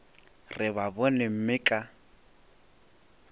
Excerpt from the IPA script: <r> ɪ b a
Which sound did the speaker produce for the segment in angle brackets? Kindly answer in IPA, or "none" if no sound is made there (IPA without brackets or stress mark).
r